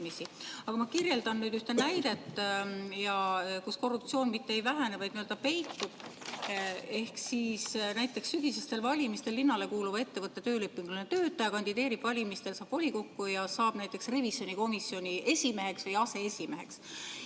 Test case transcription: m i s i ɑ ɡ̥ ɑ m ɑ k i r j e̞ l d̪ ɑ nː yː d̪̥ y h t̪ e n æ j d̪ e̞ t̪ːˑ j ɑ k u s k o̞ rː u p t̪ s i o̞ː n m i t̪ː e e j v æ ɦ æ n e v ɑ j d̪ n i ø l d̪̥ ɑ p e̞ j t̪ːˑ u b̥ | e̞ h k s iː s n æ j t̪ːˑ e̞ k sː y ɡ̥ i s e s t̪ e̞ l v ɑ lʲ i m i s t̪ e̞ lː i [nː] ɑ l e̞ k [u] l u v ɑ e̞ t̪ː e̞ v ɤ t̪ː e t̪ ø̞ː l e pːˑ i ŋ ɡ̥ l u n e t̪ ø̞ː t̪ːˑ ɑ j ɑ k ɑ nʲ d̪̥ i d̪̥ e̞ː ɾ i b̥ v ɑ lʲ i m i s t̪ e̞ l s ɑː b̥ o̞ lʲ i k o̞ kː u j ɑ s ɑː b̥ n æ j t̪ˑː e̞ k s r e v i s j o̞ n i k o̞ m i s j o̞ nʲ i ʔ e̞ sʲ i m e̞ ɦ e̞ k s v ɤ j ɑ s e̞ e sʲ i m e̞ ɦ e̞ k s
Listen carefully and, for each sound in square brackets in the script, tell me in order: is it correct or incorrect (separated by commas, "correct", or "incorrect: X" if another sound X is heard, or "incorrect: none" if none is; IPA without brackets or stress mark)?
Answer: correct, incorrect: uː